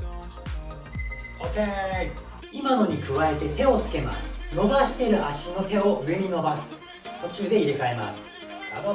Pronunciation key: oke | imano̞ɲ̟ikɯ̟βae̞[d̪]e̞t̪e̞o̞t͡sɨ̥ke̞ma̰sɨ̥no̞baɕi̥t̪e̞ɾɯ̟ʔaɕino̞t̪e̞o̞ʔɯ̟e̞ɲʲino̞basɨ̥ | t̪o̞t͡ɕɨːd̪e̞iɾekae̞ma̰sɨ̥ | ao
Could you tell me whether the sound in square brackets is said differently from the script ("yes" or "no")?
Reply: yes